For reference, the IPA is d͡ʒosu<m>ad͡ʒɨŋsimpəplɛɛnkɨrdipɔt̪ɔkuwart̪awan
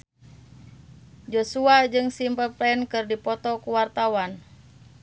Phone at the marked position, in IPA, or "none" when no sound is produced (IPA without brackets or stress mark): none